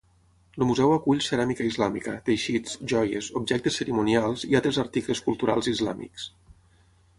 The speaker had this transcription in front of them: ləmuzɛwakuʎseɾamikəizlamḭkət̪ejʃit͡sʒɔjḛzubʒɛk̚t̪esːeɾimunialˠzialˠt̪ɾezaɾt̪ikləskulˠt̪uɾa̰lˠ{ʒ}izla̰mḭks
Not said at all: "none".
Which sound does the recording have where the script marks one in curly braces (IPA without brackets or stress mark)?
z